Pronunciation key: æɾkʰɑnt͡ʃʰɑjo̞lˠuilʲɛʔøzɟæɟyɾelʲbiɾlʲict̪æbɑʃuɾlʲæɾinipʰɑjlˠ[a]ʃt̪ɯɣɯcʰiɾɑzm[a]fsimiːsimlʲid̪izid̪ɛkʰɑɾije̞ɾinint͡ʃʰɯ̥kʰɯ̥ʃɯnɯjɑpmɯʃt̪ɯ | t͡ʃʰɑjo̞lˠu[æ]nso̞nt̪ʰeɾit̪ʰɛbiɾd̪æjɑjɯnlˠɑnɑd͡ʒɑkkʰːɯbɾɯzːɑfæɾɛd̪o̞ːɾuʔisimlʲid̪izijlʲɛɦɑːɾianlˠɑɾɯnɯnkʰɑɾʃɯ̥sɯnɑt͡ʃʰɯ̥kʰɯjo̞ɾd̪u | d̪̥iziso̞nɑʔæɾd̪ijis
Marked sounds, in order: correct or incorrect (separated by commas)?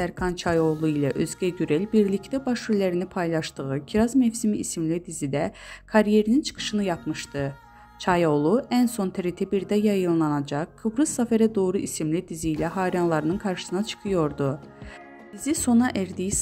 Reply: incorrect, incorrect, correct